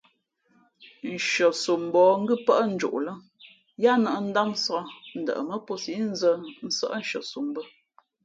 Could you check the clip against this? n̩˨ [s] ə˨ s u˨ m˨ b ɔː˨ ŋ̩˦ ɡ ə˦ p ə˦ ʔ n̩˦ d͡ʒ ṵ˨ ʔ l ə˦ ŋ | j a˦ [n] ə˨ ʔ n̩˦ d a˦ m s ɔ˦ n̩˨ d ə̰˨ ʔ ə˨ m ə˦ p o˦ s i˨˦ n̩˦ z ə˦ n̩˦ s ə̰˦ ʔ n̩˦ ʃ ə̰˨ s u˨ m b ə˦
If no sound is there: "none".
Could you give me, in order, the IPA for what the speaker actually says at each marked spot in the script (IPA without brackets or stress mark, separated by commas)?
ʃ, n